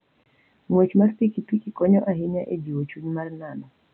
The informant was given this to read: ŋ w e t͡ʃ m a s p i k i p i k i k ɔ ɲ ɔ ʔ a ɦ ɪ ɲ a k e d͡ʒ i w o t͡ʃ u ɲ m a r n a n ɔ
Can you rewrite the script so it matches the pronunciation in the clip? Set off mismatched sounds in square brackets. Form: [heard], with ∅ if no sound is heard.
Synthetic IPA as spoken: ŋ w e t͡ʃ m a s p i k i p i k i k ɔ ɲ ɔ ʔ a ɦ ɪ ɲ a [ʔ] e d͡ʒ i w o t͡ʃ u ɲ m a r n a n ɔ